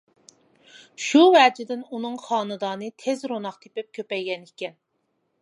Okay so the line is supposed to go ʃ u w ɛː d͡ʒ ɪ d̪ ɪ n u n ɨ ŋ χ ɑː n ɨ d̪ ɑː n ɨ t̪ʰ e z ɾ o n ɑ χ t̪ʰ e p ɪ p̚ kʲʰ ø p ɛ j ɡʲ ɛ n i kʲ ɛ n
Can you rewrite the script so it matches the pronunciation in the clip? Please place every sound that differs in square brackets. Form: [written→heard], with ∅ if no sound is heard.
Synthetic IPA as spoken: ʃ u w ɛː d͡ʒ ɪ d̪ ɪ n u n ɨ ŋ χ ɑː n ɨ d̪ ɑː n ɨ t̪ʰ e z ɾ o n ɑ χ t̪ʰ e p ɪ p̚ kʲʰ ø p ɛ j ɡʲ ɛ n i kʲ ɛ n